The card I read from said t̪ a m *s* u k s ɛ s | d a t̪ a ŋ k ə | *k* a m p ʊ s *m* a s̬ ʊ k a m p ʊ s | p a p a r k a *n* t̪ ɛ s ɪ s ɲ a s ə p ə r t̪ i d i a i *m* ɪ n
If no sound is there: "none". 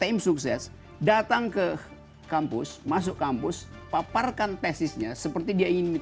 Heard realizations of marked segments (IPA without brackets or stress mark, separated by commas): s, k, m, n, ŋ